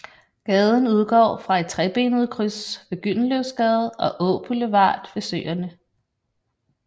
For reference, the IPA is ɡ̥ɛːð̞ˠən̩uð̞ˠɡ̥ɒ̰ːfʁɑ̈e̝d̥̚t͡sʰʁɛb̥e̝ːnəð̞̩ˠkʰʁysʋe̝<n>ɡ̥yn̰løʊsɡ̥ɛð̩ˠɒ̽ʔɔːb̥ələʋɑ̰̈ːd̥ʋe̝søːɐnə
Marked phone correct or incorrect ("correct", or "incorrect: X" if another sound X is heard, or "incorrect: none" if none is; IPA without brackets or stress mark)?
incorrect: none